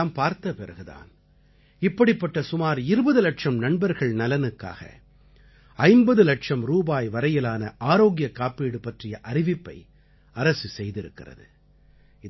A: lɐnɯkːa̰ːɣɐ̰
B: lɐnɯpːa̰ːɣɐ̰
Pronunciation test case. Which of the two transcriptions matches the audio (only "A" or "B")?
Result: A